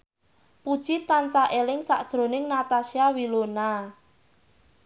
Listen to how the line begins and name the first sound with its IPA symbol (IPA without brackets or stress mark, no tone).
p